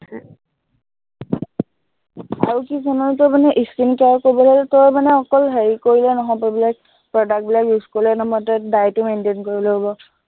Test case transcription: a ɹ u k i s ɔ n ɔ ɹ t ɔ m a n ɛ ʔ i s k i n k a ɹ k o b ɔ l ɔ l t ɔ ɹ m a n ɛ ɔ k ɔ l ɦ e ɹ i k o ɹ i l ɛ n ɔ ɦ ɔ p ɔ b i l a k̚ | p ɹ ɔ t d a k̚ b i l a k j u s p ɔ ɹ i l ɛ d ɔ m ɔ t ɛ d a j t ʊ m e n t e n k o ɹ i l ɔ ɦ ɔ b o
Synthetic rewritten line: a ɹ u k i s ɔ n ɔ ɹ t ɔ m a n ɛ ʔ i s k i n k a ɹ k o b ɔ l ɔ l t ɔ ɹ m a n ɛ ɔ k ɔ l ɦ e ɹ i k o ɹ i l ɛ n ɔ ɦ ɔ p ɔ b i l a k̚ | p ɹ ɔ d a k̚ b i l a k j u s k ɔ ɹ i l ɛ n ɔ m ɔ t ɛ d a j t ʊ m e n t e n k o ɹ i l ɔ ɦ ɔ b ɔ